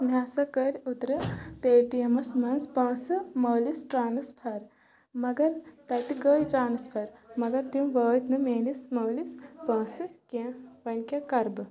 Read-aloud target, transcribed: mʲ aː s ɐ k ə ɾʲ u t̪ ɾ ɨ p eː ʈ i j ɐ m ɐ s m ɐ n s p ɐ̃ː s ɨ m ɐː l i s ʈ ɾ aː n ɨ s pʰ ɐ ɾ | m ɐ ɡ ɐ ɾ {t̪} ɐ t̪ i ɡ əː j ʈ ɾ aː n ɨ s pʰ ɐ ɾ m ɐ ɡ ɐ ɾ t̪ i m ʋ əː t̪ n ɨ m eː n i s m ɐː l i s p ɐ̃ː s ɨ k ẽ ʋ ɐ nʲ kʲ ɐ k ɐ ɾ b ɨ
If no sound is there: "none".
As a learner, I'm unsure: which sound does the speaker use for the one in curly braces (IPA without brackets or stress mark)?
t̪